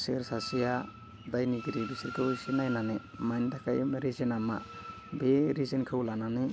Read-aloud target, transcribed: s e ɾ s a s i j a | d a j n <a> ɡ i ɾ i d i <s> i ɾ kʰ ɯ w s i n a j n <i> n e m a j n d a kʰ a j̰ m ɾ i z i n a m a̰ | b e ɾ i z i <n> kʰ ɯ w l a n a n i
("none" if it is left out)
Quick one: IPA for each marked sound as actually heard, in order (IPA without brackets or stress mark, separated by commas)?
i, s, a, n